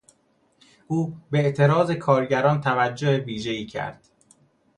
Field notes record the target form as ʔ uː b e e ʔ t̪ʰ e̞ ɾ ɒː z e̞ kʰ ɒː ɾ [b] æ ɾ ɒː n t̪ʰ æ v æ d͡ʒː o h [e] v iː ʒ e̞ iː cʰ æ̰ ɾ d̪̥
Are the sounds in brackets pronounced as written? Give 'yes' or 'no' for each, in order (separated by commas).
no, yes